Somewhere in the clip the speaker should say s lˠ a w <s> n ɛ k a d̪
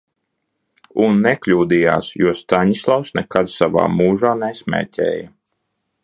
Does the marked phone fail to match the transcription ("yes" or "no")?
no